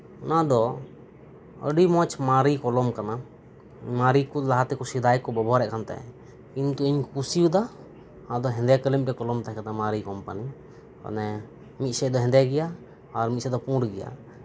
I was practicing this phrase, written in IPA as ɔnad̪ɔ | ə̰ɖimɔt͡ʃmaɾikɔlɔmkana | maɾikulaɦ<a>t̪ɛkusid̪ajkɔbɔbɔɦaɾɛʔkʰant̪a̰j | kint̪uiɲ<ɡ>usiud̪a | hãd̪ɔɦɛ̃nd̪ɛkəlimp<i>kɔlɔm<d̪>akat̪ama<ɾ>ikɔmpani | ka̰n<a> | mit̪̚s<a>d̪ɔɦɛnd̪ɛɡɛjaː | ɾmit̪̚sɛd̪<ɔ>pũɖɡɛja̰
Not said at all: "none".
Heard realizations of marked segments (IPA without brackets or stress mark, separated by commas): a, k, ɛ, t̪, ɾ, ɛ, ɛ, ɔ